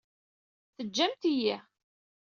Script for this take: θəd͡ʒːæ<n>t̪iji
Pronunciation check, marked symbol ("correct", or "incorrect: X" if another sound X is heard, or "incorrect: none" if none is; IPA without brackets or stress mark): incorrect: m